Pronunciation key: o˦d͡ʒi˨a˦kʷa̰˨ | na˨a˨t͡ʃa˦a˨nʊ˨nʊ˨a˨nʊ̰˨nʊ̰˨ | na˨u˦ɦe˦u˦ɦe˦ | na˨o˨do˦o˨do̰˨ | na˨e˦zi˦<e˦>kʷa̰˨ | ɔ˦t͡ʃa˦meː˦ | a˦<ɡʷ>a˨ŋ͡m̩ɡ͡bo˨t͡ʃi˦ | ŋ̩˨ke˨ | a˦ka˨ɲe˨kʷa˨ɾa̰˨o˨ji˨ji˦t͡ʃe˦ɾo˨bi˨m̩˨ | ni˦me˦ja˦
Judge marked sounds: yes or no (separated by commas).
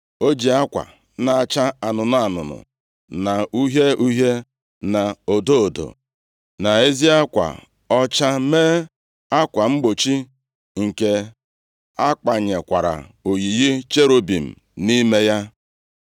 no, no